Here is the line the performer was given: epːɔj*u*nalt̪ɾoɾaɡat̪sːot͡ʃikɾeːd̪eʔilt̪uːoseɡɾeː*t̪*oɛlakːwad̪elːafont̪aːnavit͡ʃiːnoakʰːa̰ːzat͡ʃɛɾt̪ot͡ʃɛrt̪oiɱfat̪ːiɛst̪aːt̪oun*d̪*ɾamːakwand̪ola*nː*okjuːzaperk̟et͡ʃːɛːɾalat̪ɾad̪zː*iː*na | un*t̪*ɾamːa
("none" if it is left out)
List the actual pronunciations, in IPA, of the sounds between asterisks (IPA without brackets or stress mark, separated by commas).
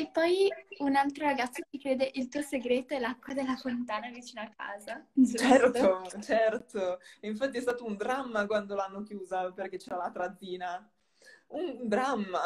u, t̪, d̪, nː, iː, d̪